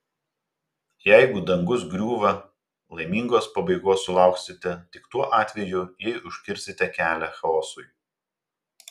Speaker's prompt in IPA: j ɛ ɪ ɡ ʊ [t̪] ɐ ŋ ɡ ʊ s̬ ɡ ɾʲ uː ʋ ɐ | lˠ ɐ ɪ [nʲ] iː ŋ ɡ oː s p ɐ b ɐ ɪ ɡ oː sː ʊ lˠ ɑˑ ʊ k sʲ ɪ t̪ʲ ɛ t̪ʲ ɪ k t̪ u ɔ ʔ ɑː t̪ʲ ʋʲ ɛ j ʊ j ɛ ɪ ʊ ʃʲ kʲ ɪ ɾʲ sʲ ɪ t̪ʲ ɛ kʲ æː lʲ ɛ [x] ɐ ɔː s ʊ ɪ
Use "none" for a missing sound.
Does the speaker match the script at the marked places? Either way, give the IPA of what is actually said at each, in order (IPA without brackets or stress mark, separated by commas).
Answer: d̪, mʲ, x